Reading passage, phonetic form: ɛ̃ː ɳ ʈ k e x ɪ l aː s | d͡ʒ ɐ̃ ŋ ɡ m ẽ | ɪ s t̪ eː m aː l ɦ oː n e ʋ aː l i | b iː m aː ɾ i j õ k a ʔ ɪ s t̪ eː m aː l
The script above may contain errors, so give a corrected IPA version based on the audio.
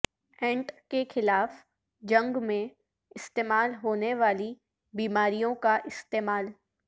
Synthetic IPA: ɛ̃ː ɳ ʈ k e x ɪ l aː f | d͡ʒ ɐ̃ ŋ ɡ m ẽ | ɪ s t̪ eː m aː l ɦ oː n e ʋ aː l i | b iː m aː ɾ i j õ k a ʔ ɪ s t̪ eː m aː l